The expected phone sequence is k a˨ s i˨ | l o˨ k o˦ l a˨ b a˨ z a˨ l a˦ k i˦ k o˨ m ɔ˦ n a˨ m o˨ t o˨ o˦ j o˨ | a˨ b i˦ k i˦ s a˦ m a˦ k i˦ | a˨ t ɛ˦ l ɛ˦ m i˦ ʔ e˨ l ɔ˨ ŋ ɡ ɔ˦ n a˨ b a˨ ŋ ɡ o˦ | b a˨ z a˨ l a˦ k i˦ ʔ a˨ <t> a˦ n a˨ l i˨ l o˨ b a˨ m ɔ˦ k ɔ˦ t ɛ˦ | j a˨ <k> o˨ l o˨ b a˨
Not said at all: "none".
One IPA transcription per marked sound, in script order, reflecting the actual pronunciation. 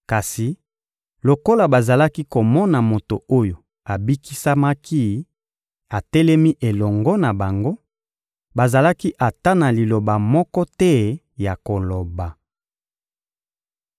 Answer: t, k

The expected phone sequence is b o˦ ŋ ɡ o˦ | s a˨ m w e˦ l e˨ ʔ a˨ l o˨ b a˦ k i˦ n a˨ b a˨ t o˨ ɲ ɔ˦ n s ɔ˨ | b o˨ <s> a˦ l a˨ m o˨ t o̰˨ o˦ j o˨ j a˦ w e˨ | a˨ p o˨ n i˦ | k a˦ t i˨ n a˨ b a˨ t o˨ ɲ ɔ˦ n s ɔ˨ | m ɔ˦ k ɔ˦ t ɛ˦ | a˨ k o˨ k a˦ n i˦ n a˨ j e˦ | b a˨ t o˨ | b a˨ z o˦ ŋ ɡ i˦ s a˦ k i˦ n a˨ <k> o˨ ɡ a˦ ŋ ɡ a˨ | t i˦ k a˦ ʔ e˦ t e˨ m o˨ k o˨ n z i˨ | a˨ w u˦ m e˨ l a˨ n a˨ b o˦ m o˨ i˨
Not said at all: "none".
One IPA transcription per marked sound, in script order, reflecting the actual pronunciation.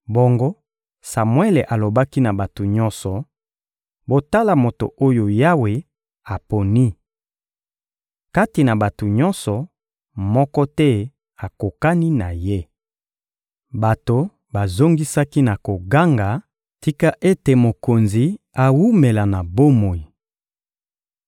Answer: t, k

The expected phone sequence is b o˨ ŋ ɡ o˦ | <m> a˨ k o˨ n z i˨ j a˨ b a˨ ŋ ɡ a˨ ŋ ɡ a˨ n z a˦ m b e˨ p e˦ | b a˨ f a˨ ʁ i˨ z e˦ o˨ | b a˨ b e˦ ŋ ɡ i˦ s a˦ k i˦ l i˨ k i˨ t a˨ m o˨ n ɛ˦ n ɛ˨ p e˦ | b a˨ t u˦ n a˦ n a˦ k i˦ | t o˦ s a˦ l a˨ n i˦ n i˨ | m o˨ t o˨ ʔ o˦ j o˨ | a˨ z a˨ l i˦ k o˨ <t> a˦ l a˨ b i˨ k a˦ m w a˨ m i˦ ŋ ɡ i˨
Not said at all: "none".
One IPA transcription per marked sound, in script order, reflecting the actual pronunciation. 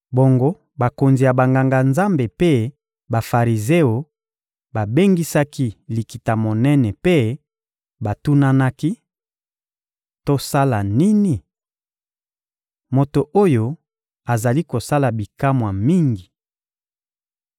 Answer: b, s

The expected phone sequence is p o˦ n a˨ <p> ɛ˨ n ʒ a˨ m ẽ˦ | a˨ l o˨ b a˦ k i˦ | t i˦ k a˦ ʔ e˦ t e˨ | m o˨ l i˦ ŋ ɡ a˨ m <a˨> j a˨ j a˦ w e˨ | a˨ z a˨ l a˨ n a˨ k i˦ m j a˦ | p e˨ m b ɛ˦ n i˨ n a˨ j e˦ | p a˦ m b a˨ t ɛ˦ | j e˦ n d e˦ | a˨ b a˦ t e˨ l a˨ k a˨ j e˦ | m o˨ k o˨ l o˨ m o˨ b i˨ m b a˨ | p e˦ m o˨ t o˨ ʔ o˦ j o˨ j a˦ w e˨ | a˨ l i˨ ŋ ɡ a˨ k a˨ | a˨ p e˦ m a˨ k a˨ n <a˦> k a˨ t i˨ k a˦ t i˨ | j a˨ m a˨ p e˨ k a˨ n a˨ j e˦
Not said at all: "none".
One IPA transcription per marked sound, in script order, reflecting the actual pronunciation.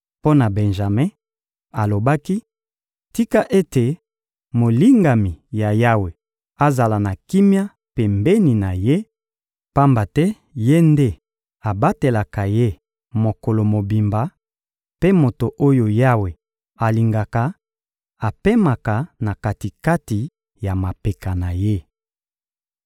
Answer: b, i˨, a˨

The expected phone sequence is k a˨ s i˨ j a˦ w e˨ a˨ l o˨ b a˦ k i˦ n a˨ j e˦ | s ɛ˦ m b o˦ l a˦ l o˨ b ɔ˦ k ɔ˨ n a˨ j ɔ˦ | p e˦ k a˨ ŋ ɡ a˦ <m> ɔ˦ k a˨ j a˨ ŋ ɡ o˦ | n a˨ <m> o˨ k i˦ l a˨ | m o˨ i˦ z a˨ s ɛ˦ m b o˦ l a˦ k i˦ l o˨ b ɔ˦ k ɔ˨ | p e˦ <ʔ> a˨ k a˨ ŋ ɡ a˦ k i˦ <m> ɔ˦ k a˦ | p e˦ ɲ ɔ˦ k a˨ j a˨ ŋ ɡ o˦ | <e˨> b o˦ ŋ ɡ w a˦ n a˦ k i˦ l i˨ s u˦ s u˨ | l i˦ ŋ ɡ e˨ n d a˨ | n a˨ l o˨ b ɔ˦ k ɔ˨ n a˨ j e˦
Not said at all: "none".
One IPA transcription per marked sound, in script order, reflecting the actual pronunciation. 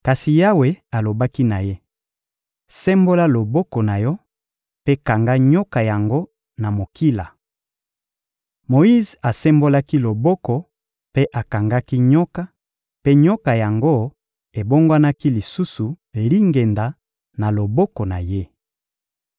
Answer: ɲ, m, ʔ, ɲ, e˨

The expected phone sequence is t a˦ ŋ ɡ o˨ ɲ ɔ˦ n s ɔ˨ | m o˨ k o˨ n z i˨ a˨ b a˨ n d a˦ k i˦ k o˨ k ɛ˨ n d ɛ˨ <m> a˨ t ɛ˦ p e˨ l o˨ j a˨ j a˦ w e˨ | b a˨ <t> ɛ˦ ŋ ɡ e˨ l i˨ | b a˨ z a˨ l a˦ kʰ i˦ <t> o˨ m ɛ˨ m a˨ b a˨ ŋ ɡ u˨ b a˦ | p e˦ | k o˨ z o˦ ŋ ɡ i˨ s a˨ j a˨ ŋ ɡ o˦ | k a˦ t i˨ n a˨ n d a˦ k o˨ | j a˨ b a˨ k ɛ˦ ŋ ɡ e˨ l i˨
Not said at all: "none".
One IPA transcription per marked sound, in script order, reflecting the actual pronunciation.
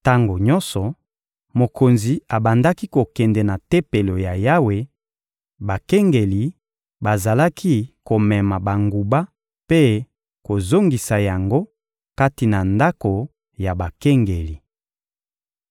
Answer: n, k, k

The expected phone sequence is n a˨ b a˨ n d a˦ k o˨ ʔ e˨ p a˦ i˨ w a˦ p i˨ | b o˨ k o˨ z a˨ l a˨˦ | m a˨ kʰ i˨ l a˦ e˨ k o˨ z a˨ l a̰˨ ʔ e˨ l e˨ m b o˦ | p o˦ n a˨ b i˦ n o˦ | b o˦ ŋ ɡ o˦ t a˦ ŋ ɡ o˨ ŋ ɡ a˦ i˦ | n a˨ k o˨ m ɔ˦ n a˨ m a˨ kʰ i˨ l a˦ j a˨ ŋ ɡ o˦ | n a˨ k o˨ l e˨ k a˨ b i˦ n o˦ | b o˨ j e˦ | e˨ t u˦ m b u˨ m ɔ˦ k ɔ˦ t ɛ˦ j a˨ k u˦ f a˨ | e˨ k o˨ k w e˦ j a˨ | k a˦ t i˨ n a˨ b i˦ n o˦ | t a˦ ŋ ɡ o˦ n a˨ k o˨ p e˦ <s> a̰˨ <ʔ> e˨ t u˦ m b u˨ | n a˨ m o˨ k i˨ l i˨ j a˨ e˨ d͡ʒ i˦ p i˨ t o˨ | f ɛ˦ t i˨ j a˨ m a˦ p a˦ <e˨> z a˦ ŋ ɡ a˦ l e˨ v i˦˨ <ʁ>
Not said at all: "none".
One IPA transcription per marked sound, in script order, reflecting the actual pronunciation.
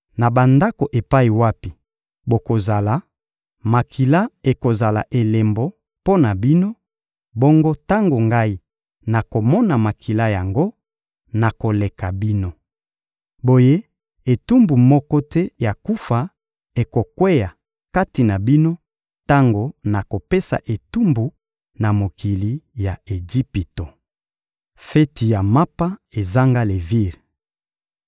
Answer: s, ʔ, e˨, ʁ

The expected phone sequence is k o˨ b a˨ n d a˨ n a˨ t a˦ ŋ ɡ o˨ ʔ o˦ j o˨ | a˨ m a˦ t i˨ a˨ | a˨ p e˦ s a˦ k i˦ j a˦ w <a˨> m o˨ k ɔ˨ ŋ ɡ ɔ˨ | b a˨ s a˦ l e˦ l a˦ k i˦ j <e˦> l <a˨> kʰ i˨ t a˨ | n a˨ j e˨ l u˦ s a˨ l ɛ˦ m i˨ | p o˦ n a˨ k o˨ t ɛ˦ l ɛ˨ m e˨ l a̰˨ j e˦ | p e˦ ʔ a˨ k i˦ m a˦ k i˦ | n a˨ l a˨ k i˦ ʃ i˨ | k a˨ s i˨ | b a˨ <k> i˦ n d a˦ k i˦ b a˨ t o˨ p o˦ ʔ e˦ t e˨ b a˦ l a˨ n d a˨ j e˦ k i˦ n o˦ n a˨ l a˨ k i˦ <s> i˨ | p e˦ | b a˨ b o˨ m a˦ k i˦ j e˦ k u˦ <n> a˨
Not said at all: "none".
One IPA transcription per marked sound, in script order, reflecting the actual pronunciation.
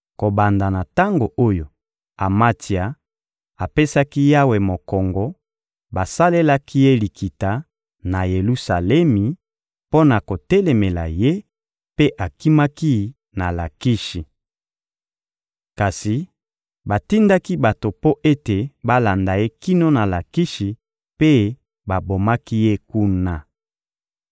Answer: e˨, e˦, i˨, t, ʃ, n

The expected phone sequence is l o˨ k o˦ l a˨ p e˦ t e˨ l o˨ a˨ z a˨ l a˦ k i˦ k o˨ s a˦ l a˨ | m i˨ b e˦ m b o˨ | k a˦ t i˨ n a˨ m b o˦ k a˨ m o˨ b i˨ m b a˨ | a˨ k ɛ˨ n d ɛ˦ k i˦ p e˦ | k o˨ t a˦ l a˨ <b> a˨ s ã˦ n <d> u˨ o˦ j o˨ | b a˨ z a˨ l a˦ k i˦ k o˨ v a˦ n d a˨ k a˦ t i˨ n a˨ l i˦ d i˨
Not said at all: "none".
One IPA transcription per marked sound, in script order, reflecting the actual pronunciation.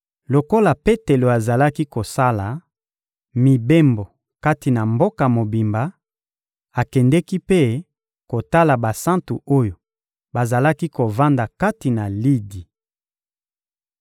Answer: b, t

